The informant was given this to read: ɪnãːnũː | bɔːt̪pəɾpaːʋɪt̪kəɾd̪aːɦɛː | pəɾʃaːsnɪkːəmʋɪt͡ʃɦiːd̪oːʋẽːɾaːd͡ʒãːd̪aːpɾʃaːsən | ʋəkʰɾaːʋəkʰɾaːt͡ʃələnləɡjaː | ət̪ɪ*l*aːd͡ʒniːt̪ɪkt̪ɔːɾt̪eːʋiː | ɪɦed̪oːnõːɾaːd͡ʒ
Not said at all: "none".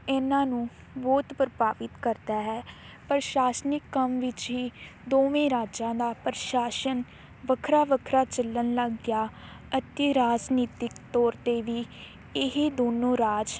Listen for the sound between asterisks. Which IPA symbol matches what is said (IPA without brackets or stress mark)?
ɾ